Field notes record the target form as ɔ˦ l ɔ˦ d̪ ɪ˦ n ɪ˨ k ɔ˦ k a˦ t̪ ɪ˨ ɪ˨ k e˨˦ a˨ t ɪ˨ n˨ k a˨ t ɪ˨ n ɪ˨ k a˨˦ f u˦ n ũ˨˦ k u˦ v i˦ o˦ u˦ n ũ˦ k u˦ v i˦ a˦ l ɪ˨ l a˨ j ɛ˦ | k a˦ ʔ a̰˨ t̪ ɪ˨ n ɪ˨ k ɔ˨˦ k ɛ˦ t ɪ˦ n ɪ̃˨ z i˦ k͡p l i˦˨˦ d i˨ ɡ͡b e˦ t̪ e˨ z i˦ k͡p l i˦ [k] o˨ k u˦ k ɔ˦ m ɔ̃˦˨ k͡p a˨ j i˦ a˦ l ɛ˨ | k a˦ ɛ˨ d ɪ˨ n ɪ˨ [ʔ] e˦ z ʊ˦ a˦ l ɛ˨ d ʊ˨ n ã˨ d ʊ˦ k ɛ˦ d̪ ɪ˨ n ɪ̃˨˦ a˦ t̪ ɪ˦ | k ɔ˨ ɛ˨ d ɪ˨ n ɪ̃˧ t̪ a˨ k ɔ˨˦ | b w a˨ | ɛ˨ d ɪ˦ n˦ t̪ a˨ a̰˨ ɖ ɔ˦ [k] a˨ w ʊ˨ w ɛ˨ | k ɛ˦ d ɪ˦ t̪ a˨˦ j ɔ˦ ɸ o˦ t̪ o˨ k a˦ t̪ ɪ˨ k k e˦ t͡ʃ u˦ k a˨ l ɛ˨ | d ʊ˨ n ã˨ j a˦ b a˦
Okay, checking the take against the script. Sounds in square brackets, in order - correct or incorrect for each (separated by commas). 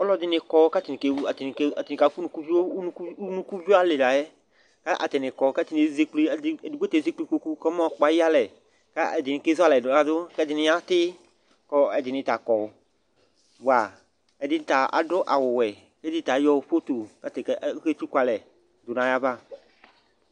correct, incorrect, incorrect